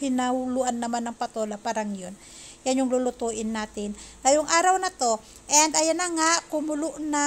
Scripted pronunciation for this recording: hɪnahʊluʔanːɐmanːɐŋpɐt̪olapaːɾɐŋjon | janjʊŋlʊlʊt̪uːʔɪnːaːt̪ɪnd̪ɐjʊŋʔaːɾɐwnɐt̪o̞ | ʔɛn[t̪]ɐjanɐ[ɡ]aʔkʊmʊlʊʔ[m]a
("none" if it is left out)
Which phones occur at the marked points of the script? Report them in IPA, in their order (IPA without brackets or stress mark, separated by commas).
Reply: d̪, ŋ, n